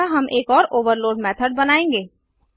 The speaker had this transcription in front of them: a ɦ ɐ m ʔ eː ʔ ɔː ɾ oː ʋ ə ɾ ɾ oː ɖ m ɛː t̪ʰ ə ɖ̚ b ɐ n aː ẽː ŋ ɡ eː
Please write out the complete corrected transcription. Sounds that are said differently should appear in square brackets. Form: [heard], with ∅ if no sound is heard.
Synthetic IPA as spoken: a ɦ ɐ m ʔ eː [k] ɔː ɾ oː ʋ ə ɾ [l] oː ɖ m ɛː t̪ʰ ə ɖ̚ b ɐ n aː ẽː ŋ ɡ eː